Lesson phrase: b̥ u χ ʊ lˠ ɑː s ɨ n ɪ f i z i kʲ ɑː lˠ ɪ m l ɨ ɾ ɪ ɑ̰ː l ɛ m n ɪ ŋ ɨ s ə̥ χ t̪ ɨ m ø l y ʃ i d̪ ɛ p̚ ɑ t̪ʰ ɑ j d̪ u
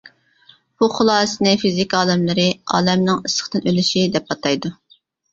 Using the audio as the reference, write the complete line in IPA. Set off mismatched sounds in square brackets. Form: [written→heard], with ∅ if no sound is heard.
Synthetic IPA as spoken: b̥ u χ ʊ lˠ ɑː s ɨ n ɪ f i z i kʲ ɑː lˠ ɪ m l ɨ ɾ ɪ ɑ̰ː l ɛ m n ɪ ŋ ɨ s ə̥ χ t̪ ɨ [m→n] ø l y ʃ i d̪ ɛ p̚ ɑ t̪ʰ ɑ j d̪ u

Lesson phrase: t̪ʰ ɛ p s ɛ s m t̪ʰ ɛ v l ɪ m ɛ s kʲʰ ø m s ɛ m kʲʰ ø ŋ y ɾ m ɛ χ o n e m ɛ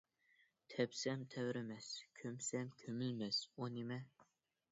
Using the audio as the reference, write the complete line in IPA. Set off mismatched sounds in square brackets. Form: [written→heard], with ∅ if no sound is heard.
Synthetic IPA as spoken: t̪ʰ ɛ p s ɛ [s→∅] m t̪ʰ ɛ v [l→ɾ] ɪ m ɛ s kʲʰ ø m s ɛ m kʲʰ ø [ŋ→m] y [ɾ→l] m ɛ [χ→s] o n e m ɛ

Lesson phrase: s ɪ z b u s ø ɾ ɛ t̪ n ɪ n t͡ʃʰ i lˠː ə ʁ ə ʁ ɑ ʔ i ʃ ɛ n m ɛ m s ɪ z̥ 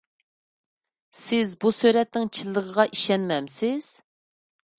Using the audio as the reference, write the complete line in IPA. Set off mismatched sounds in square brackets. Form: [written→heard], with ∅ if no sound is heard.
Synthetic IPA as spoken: s ɪ z b u s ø ɾ ɛ t̪ n ɪ [n→ŋ] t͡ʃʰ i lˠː ə ʁ ə ʁ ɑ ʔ i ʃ ɛ n m ɛ m s ɪ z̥

